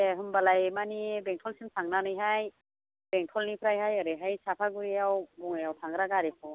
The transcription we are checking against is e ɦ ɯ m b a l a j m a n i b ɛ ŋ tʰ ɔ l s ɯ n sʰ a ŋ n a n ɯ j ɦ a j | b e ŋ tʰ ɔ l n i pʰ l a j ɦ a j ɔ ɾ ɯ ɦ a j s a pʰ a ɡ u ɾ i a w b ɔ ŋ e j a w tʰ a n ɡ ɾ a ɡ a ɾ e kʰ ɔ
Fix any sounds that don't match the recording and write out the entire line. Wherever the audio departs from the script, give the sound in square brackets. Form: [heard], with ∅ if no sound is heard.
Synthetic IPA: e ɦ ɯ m b a l a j m a n i b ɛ ŋ tʰ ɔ l s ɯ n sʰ a ŋ n a n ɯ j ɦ a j | b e ŋ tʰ ɔ l n i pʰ [ɾ] a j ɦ a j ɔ ɾ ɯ ɦ a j s a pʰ a ɡ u ɾ i a w b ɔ ŋ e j a w tʰ a [ŋ] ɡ ɾ a ɡ a ɾ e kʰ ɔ

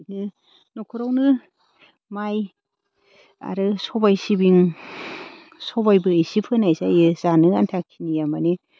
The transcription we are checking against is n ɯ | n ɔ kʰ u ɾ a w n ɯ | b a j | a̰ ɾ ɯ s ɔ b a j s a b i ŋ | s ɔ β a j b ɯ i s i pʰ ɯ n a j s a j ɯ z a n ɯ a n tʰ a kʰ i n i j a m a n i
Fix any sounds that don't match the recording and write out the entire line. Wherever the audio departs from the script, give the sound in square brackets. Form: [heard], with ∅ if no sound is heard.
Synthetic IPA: n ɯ | n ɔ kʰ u ɾ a w n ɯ | [m] a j | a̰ ɾ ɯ s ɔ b a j s [i] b i ŋ | s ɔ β a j b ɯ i s i pʰ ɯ n a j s a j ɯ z a n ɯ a n tʰ a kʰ i n i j a m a n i

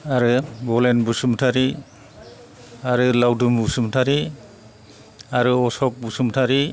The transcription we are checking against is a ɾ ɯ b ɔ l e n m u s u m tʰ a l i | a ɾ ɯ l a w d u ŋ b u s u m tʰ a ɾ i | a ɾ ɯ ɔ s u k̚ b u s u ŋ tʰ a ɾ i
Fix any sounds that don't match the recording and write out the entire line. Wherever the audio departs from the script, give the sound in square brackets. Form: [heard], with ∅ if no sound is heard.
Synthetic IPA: a ɾ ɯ b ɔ l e n [b] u s u m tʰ a [ɾ] i | a ɾ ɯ l a w d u [m] b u s u m tʰ a ɾ i | a ɾ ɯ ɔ s [ɔ] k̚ b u s u [m] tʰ a ɾ i

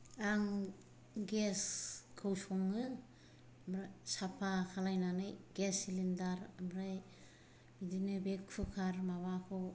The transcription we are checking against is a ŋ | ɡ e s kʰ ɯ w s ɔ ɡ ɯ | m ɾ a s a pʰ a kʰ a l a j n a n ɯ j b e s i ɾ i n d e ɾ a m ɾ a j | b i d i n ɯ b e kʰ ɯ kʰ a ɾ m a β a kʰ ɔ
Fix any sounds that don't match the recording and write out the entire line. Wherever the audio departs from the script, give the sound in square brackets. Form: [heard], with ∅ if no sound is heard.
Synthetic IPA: a ŋ | ɡ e s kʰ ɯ w s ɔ [ŋ] ɯ | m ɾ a s a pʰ a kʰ a l a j n a n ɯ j [ɡ] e s i [l] i n d [a] ɾ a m ɾ a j | b i d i n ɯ b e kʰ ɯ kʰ a ɾ m a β a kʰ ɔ

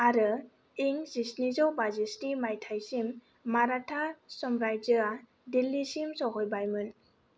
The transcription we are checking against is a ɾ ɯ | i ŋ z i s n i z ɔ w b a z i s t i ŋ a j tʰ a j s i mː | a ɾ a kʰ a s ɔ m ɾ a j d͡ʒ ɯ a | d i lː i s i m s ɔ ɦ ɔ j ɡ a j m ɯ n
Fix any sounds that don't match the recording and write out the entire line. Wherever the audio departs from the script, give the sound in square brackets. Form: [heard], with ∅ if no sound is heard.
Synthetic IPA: a ɾ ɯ | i ŋ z i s n i z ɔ w b a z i s t i [m] a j tʰ a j s i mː | a ɾ a [tʰ] a s ɔ m ɾ a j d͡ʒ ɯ a | d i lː i s i m s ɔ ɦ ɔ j [b] a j m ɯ n

